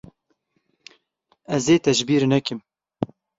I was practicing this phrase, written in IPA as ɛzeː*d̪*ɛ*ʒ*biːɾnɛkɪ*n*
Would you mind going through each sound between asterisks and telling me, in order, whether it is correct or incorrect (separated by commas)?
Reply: incorrect, correct, incorrect